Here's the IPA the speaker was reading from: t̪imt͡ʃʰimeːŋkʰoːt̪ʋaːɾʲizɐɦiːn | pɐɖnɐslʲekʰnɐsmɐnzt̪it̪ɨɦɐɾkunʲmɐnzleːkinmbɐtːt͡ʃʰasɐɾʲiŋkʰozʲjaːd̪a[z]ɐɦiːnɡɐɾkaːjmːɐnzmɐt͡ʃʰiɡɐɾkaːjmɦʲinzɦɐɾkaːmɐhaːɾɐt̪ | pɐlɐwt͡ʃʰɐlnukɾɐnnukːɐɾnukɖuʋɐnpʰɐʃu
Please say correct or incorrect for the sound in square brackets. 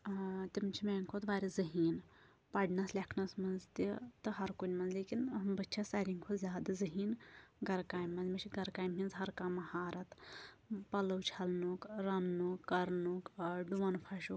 correct